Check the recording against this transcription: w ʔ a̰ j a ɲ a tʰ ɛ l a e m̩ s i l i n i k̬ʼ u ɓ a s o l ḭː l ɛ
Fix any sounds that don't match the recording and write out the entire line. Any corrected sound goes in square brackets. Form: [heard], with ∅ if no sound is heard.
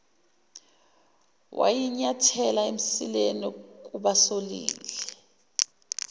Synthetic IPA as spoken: w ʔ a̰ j [i] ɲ a tʰ ɛ l a e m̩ s i l [e] n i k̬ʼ u ɓ a s o l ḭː l ɛ

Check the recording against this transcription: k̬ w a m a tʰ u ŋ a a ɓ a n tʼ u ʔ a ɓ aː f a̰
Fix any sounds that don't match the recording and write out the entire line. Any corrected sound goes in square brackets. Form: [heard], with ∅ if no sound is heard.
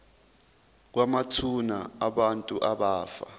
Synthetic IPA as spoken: k̬ w a m a tʰ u [n] a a ɓ a n tʼ u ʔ a ɓ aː f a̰

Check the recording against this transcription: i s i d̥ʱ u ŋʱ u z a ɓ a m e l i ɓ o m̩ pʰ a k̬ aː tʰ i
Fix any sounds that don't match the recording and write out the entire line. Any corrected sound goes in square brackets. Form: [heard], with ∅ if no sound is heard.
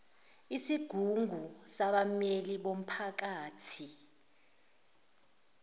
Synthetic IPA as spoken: i s i [ɡ̥ʱ] u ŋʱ u [s] a ɓ a m e l i ɓ o m̩ pʰ a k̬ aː tʰ i

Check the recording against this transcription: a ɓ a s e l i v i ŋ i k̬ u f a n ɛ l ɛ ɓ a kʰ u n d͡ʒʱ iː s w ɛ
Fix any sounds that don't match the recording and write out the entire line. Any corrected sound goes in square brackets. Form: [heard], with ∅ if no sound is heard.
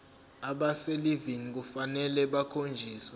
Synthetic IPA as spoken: a ɓ a s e l i v i ŋ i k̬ u f a n ɛ l ɛ ɓ a kʰ [o] n d͡ʒʱ iː s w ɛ

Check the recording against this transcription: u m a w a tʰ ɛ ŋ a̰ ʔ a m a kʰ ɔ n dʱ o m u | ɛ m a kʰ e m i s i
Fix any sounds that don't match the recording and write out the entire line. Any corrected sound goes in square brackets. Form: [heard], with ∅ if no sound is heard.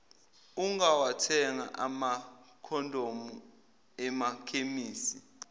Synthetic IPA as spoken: u [ŋ] a w a tʰ ɛ ŋ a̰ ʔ a m a kʰ ɔ n dʱ o m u | ɛ m a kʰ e m [iː] s i

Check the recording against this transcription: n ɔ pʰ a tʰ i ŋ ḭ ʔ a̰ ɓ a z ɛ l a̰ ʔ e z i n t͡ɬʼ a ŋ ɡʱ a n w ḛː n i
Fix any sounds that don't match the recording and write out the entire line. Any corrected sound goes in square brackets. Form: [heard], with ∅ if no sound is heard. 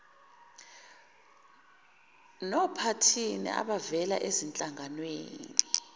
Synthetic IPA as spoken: n ɔ pʰ a tʰ i [n] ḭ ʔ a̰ ɓ a [v] ɛ l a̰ ʔ e z i n t͡ɬʼ a ŋ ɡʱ a n w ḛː n i

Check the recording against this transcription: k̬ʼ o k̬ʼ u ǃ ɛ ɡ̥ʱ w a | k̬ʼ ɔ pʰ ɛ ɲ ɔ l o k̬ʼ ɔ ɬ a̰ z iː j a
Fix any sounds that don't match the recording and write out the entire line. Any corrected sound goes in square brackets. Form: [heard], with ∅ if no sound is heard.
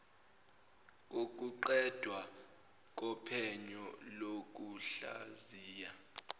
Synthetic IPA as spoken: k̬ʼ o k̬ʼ u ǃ ɛ [d̥ʱ] w a | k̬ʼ ɔ pʰ ɛ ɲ ɔ l o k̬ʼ [u] ɬ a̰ z iː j a

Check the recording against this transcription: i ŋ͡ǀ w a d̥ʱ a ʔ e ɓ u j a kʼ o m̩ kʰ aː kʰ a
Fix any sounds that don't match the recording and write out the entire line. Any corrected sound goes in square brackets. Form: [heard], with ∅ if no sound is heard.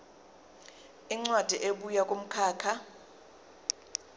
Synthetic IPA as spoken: i ŋ͡ǀ w a d̥ʱ [i] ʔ e ɓ u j a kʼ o m̩ kʰ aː kʰ a

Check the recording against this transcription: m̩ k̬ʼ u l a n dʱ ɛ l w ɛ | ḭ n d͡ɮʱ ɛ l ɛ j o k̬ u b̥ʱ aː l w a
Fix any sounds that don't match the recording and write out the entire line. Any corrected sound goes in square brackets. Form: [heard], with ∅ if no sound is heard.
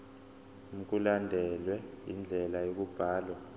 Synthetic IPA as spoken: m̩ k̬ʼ u l a n dʱ ɛ l w ɛ | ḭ n d͡ɮʱ ɛ l [a] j o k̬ u b̥ʱ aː l w a

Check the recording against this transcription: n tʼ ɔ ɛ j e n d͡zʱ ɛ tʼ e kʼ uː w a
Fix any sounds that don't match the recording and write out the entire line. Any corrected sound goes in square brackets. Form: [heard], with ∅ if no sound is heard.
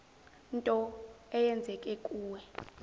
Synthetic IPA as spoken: n tʼ ɔ ɛ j [ɛ] n d͡zʱ ɛ [kʼ] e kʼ uː w [ɛ]

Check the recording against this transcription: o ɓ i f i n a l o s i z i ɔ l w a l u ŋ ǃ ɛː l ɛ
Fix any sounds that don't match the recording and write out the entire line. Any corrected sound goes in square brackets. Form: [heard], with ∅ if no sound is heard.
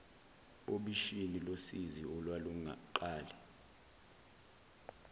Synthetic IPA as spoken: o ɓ i [ʃ] i n [i] l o s i z i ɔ l w a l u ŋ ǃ [aː] l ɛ

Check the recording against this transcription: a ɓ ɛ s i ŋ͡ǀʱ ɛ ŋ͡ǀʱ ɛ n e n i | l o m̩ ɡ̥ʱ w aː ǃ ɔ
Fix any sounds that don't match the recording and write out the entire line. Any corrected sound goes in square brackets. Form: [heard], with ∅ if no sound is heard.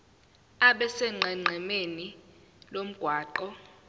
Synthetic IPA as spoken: a ɓ ɛ s [ɛ] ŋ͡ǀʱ ɛ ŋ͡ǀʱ ɛ [m] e n i | l o m̩ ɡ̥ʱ w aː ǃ ɔ

